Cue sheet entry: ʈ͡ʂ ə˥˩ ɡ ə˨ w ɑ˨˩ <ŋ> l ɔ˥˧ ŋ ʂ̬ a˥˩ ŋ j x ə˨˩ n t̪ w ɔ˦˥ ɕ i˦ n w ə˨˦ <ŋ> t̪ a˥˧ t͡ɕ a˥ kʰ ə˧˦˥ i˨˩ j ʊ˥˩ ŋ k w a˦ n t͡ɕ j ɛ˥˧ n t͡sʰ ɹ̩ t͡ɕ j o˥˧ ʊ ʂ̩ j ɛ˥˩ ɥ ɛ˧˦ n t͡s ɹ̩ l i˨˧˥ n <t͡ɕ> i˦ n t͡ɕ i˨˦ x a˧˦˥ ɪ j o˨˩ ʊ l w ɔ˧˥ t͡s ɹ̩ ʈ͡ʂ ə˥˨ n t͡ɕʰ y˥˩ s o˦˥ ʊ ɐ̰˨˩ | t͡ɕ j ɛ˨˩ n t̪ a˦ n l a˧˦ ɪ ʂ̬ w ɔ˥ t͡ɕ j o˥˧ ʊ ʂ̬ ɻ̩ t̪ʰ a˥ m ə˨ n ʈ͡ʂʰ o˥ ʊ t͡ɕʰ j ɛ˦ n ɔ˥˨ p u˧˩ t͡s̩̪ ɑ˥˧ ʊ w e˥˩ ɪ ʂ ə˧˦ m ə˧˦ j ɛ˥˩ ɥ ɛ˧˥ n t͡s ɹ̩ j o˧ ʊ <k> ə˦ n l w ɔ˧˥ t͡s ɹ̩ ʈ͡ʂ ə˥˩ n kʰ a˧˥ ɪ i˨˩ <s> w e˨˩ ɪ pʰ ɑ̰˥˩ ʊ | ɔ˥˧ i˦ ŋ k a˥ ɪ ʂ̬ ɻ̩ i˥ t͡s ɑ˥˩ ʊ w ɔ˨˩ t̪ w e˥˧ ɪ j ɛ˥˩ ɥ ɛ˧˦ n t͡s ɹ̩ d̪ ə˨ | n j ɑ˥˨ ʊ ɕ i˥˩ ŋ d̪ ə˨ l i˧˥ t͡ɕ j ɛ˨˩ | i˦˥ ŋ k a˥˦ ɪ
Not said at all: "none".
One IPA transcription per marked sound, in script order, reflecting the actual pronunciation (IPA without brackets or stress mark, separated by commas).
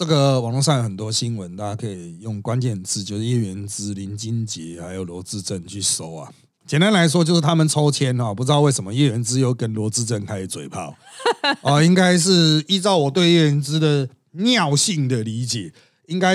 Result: ŋ, n, t͡ɕ, k, t͡s